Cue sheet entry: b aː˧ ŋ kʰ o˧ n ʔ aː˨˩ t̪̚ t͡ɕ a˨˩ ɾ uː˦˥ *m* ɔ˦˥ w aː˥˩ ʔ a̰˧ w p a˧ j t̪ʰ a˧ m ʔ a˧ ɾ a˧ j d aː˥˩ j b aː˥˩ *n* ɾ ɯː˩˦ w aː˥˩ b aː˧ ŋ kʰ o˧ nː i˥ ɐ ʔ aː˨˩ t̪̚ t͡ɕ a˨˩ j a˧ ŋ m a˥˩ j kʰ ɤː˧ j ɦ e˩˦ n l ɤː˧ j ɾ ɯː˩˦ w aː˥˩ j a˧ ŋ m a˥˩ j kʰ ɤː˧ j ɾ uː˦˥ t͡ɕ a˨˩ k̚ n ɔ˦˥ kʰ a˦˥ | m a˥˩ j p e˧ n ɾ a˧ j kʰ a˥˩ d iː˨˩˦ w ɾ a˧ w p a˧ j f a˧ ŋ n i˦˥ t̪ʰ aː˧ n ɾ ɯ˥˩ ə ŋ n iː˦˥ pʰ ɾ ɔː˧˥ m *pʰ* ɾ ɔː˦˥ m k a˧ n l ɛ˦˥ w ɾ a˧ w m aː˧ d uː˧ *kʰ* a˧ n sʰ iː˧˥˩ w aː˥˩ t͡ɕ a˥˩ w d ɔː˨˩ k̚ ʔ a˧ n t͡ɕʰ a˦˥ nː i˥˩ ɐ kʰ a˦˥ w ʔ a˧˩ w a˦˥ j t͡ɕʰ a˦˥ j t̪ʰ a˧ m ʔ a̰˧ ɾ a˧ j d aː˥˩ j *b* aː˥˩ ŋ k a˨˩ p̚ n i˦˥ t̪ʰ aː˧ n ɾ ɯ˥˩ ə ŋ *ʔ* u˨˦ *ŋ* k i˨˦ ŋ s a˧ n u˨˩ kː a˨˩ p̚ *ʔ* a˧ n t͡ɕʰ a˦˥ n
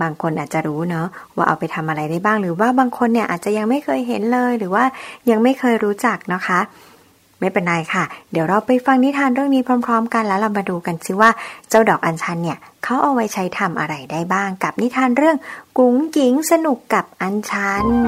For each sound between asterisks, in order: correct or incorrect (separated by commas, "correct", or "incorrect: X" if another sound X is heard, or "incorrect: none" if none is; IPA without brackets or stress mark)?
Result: incorrect: n, incorrect: ŋ, correct, incorrect: k, correct, incorrect: k, correct, correct